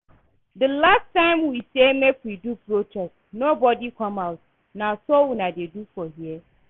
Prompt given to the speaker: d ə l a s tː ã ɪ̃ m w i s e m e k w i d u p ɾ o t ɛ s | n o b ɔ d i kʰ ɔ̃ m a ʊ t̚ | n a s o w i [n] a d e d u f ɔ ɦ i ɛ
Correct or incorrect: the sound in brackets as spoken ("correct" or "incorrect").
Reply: correct